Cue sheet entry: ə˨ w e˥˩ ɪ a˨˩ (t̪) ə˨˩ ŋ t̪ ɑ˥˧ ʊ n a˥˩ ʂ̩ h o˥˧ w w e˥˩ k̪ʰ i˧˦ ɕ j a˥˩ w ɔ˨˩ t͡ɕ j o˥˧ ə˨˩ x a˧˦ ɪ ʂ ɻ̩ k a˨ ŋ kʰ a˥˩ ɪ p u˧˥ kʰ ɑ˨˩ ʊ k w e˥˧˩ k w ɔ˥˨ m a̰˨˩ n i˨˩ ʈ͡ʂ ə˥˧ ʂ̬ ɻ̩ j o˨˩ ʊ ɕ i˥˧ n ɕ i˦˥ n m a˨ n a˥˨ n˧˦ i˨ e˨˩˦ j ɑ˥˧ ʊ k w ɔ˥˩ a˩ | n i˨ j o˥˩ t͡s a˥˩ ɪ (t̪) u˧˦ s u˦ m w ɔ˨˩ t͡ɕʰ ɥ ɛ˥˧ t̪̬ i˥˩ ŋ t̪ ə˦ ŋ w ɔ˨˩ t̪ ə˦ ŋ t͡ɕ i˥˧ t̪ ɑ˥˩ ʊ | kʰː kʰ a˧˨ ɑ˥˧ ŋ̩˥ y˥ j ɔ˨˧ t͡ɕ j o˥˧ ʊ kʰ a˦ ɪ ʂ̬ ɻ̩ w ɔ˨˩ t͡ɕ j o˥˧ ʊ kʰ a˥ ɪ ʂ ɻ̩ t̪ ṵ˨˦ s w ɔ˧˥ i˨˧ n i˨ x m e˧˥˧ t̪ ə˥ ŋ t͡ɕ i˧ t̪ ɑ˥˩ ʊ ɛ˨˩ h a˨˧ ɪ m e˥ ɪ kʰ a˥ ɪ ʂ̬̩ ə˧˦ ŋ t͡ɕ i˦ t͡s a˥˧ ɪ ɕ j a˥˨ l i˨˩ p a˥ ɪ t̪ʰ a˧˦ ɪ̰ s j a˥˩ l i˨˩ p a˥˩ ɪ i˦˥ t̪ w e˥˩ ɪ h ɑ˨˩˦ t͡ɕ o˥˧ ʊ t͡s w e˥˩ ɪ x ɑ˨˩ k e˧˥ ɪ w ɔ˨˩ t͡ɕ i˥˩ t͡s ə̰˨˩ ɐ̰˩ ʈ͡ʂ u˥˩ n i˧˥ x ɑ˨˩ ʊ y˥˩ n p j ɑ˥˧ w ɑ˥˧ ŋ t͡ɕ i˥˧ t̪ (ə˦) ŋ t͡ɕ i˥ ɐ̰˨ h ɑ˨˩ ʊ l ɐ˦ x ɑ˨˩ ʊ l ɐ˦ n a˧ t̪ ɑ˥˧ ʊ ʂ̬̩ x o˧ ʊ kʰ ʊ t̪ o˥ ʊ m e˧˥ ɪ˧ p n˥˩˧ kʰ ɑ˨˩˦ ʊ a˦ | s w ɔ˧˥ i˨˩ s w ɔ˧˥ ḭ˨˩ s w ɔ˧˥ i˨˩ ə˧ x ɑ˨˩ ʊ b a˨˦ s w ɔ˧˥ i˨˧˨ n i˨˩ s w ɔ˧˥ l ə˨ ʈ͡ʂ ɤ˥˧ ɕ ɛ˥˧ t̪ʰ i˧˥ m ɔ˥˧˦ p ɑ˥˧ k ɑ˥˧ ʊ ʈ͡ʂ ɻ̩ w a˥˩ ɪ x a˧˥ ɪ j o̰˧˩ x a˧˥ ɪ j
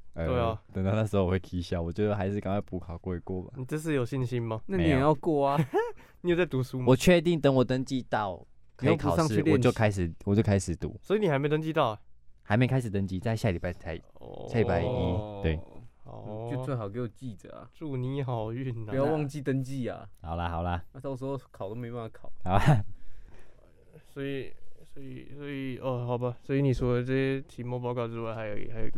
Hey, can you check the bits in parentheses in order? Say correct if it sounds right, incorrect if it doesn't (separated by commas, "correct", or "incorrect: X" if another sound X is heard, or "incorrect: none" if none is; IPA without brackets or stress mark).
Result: correct, correct, correct